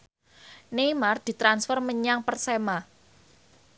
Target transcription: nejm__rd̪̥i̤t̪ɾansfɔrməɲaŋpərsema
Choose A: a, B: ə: A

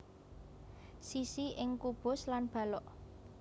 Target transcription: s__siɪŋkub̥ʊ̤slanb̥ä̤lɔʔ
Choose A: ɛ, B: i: B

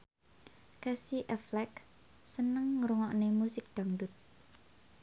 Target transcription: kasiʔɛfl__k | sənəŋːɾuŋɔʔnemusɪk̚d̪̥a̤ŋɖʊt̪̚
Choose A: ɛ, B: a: A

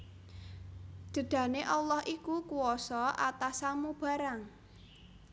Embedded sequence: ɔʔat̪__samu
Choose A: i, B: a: B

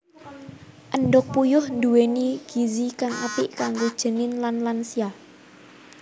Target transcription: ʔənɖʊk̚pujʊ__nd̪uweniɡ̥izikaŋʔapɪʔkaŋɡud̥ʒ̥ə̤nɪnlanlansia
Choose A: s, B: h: B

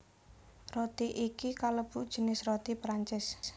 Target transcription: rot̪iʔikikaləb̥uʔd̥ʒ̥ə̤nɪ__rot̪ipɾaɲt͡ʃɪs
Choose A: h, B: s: B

